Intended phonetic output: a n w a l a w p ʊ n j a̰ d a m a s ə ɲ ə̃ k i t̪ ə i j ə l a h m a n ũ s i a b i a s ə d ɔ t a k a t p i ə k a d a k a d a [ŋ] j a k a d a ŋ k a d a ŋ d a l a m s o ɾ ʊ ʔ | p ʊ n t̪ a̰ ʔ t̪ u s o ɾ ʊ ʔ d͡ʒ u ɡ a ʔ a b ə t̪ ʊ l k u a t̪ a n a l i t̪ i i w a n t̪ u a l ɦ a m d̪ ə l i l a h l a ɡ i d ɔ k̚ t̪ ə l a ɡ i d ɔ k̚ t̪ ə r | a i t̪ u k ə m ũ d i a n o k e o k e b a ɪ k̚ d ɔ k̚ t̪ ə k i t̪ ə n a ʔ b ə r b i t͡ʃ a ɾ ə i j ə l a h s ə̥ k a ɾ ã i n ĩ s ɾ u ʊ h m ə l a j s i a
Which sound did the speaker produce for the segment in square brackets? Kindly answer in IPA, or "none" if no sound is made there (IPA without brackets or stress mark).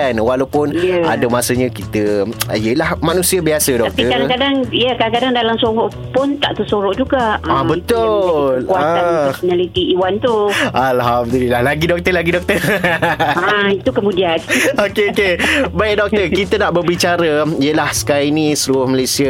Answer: ŋ